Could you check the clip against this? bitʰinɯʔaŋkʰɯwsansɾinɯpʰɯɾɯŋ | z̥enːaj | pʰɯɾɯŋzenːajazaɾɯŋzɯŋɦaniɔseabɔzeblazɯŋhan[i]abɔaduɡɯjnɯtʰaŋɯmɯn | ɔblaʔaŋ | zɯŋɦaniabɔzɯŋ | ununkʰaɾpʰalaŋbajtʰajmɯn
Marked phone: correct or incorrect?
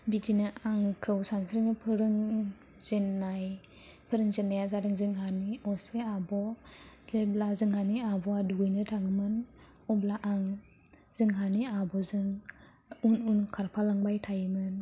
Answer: correct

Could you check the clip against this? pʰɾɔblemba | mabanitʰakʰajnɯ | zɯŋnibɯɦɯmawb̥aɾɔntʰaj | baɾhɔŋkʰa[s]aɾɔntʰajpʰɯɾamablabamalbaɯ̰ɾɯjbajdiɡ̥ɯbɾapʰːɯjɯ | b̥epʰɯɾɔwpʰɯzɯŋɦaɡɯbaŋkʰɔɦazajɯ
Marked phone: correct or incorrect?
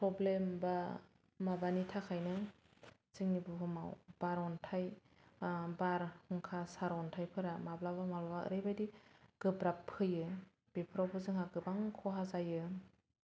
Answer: correct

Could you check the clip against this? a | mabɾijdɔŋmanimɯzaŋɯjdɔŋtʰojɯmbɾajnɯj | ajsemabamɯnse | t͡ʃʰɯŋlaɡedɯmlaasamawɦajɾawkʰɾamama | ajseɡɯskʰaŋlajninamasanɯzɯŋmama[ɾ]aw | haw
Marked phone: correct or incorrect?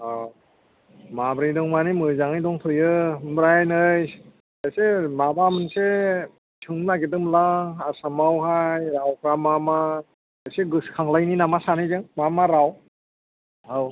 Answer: correct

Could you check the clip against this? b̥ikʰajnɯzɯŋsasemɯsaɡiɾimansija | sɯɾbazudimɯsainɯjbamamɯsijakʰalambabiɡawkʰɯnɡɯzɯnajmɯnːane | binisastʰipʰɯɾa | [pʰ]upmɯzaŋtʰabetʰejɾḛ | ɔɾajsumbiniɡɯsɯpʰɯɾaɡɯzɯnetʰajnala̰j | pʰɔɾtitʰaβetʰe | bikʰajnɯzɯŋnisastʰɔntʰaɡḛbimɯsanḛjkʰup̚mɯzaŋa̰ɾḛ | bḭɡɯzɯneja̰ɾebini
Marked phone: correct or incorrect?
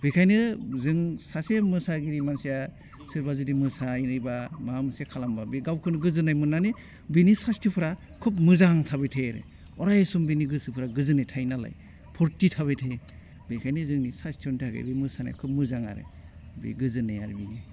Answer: incorrect: kʰ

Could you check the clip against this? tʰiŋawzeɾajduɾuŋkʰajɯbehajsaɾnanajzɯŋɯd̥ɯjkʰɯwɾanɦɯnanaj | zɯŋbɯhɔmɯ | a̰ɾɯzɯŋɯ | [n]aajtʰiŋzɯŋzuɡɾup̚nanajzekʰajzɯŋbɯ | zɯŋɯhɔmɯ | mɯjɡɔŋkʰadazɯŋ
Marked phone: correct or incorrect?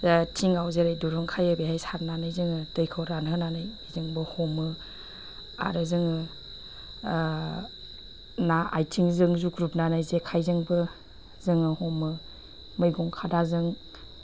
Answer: correct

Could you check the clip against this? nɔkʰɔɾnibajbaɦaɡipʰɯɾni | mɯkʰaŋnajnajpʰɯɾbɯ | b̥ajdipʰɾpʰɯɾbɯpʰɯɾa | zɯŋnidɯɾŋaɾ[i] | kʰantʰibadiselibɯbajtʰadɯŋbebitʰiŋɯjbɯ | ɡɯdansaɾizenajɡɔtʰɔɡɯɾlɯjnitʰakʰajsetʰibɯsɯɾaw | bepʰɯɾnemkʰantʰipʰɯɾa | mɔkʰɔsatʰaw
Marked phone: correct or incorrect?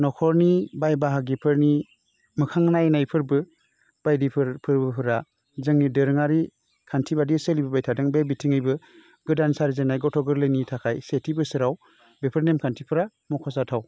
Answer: correct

